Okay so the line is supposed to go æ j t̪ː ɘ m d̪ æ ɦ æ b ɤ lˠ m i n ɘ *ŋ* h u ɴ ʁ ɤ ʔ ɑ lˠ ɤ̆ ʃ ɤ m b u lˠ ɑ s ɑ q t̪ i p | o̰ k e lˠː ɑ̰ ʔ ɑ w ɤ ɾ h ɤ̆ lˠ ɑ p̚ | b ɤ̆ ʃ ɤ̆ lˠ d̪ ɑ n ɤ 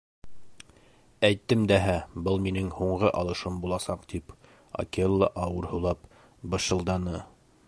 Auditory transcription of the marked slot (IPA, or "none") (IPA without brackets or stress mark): ŋ